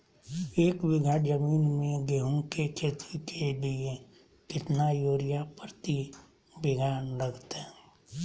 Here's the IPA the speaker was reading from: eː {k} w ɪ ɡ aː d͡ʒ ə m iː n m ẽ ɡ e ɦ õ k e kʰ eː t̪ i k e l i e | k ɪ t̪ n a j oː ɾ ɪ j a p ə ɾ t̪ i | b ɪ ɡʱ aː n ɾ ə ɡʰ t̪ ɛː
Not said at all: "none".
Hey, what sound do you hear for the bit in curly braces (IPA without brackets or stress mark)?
k